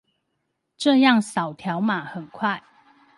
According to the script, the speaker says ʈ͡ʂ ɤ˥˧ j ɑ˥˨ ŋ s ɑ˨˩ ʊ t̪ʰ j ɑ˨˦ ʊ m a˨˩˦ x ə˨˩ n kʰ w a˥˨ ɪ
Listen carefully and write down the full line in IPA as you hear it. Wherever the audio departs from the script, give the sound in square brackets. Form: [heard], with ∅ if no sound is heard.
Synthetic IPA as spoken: ʈ͡ʂ ɤ˥˧ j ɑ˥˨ ŋ s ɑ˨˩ ʊ t̪ʰ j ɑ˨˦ ʊ m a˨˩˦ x ə˨˩ n kʰ w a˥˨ ɪ